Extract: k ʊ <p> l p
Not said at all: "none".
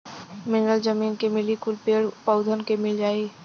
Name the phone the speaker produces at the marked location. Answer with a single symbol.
none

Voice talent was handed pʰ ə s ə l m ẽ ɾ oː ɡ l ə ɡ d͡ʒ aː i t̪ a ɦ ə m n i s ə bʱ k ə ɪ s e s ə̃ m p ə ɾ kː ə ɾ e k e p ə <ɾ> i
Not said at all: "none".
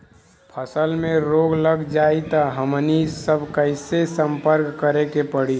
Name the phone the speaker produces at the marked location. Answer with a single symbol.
ɽ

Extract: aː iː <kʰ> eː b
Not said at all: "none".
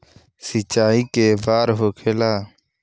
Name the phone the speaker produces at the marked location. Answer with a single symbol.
k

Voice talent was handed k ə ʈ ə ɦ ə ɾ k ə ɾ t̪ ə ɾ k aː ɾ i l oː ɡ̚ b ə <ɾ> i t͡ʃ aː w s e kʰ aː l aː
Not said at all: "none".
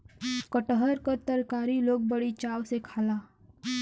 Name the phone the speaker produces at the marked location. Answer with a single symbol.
ɽ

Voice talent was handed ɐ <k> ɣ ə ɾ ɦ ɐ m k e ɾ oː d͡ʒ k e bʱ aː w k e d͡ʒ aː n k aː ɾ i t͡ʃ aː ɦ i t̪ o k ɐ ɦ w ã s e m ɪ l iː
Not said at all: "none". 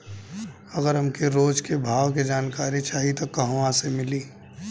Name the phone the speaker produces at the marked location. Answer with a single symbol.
none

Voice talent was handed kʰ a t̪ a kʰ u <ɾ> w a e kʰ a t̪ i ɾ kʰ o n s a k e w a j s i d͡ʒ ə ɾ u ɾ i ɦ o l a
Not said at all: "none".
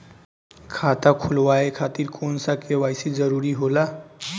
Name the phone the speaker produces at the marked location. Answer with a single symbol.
l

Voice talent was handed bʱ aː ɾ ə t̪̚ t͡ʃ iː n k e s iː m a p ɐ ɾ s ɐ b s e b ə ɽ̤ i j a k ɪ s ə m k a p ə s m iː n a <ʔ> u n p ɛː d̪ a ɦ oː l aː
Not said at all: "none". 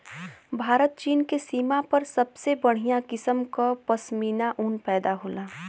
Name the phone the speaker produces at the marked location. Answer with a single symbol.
ʔ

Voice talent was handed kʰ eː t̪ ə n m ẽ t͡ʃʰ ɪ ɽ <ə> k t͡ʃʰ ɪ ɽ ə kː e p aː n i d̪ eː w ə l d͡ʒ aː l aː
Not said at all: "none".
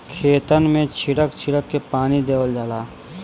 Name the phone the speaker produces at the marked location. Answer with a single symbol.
ə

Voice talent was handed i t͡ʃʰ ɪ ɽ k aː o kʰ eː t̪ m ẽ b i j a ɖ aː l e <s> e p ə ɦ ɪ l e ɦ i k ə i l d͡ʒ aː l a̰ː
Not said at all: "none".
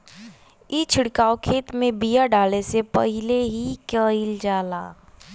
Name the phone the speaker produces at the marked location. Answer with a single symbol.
s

